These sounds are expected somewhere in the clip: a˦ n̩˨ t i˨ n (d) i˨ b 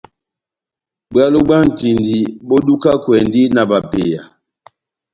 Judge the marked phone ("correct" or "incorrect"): correct